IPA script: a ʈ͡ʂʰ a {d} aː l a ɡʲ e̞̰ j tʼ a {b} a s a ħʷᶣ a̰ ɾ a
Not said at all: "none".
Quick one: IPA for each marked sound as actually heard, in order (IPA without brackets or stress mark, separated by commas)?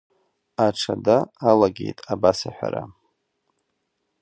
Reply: d, b